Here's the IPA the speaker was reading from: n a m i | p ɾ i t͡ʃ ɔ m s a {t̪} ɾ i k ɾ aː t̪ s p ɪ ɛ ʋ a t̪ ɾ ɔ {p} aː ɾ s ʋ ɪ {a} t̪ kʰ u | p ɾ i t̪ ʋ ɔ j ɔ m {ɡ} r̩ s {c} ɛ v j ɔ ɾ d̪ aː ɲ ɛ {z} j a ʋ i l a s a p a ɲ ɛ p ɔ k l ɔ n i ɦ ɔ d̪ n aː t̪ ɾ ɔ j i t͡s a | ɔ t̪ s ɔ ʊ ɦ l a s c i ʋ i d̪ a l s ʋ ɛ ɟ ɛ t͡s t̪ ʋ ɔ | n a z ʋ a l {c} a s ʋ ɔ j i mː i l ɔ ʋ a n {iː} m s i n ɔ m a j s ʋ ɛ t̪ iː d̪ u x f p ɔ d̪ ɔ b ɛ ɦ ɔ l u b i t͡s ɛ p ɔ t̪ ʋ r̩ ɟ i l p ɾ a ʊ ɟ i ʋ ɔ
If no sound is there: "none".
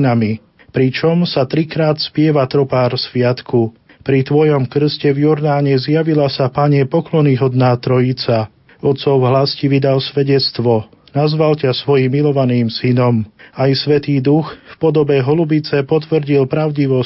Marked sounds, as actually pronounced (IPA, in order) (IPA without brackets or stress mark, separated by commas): t̪, p, a, k, c, z, c, iː